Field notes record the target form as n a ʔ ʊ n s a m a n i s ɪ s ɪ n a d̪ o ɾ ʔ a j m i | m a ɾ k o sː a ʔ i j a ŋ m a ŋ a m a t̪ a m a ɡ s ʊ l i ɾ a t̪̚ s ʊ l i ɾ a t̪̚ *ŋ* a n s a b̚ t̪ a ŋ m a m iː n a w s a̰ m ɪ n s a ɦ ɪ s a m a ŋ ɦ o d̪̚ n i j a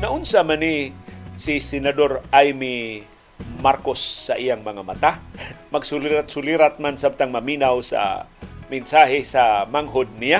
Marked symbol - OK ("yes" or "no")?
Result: no